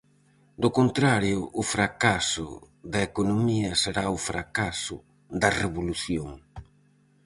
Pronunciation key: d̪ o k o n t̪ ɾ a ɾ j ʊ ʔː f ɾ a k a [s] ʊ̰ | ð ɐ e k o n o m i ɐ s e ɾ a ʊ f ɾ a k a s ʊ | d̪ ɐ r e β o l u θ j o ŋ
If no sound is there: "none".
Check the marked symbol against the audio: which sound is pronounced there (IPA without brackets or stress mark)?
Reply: s